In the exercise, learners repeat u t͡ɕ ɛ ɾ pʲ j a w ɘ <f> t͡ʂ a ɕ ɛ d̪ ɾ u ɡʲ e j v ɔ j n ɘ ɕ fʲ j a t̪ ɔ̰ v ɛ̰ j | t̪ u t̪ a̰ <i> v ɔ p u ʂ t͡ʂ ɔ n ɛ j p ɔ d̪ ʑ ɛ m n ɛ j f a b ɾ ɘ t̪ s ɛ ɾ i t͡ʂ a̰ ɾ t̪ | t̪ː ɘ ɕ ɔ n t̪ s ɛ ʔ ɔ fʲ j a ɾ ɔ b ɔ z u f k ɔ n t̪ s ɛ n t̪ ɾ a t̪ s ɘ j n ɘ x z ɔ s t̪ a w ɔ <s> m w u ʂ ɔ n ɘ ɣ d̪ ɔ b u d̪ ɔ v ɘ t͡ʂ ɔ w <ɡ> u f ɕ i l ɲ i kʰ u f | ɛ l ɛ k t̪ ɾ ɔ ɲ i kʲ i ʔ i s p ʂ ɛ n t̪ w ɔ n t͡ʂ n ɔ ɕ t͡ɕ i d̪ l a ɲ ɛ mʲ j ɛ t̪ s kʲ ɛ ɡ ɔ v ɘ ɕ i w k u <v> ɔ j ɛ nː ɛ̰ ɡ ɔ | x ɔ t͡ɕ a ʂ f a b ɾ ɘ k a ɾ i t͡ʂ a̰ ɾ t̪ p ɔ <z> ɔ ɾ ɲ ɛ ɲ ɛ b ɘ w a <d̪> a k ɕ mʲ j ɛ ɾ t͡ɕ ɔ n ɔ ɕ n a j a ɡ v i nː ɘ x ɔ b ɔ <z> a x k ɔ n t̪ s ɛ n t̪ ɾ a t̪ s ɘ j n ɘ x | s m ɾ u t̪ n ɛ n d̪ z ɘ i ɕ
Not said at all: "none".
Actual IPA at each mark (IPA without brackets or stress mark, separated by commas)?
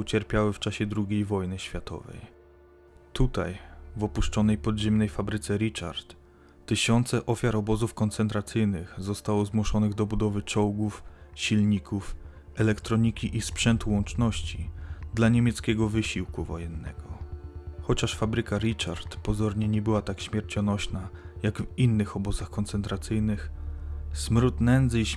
f, j, z, ɡ, v, z, t̪, z